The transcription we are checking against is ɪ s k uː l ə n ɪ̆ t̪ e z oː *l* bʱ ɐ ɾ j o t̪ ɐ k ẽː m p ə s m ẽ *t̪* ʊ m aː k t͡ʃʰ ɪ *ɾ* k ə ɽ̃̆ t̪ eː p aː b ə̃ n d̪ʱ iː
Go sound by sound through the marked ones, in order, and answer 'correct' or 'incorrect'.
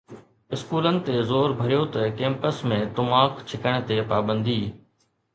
incorrect, correct, incorrect

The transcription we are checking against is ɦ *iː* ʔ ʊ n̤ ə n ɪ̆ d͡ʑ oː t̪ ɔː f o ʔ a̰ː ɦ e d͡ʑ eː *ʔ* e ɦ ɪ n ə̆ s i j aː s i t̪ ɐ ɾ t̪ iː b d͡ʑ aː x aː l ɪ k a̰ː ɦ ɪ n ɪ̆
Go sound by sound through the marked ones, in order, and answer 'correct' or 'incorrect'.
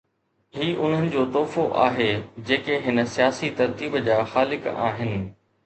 correct, incorrect

